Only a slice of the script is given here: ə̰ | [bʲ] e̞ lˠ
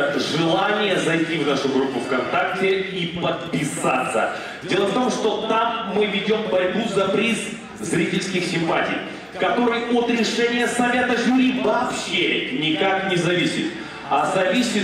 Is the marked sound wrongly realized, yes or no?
yes